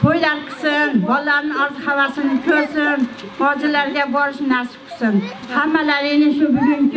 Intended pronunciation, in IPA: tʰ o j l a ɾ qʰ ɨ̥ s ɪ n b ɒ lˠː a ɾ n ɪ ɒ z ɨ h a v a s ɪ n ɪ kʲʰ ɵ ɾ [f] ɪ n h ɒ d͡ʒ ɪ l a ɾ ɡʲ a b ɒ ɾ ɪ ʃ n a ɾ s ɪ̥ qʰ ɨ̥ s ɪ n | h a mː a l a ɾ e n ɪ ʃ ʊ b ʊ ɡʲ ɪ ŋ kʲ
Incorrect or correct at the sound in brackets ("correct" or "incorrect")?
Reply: incorrect